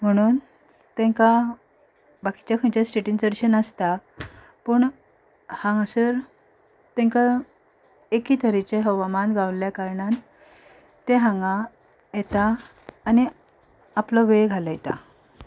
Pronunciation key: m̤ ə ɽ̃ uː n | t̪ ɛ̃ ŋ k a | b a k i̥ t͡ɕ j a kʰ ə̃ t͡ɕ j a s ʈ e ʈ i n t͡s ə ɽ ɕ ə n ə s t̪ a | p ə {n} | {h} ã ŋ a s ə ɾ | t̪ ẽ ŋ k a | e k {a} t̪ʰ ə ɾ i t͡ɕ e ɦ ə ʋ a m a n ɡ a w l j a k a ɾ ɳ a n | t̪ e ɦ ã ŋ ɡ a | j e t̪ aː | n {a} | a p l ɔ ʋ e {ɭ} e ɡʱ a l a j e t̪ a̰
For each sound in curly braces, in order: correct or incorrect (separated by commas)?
incorrect, correct, incorrect, incorrect, correct